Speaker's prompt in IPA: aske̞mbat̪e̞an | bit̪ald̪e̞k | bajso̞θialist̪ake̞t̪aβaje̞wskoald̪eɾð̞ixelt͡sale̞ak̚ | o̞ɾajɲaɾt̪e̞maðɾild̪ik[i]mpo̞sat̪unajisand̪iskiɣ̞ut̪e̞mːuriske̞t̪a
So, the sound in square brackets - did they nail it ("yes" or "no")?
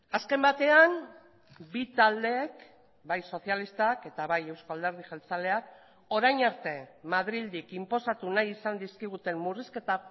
yes